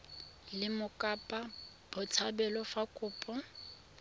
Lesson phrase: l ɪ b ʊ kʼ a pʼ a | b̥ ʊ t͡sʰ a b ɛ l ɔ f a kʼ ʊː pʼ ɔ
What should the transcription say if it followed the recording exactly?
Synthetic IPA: l ɪ m ʊ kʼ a pʼ a | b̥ ʊ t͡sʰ a b ɛ l ɔ f a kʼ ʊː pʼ ɔ